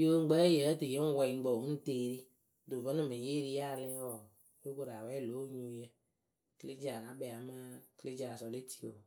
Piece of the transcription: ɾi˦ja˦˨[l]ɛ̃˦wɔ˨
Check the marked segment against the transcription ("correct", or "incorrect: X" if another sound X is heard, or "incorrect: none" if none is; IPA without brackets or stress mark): correct